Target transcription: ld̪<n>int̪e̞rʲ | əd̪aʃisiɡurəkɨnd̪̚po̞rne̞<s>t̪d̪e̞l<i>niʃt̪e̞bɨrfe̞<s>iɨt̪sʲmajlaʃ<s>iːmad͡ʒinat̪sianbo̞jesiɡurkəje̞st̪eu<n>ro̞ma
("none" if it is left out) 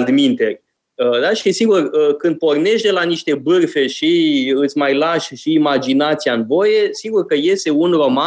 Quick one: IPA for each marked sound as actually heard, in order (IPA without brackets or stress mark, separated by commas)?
m, ʃ, a, ʃ, ʃ, n